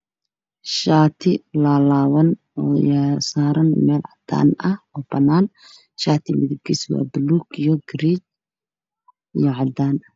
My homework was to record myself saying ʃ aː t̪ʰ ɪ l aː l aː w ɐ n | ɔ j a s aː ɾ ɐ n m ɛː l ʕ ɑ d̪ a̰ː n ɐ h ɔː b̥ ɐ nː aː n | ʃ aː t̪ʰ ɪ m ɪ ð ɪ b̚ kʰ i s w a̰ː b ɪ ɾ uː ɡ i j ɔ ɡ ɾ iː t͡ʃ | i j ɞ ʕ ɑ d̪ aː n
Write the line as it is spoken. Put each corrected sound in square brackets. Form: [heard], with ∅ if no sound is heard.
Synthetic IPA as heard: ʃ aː t̪ʰ ɪ l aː l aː w ɐ n | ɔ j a s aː ɾ ɐ n m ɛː l ʕ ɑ d̪ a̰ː n ɐ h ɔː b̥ ɐ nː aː n | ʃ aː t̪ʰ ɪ m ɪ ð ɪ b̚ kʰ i s w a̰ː b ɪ [l] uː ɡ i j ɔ ɡ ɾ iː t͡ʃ | i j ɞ ʕ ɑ d̪ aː n